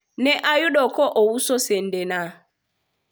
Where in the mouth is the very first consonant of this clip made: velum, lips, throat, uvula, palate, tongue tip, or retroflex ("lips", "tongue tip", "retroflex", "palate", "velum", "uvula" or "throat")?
tongue tip